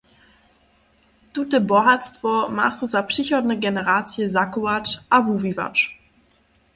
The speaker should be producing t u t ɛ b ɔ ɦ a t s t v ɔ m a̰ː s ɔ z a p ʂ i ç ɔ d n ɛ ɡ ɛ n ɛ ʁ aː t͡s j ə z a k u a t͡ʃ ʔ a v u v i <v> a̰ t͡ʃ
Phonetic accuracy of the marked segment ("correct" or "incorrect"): correct